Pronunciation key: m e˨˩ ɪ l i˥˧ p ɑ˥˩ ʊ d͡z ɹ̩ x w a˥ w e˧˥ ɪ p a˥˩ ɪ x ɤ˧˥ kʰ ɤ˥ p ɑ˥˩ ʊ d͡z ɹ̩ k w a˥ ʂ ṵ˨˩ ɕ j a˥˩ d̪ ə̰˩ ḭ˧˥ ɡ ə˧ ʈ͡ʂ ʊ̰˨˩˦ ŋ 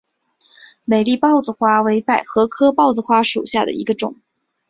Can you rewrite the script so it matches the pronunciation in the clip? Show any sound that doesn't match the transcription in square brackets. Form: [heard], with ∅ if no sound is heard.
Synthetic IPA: m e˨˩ ɪ l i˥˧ p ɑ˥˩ ʊ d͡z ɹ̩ x w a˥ w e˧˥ ɪ p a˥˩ ɪ x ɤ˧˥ kʰ ɤ˥ p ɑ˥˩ ʊ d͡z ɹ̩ [x] w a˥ ʂ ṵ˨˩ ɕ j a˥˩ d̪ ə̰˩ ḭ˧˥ ɡ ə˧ ʈ͡ʂ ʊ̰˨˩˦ ŋ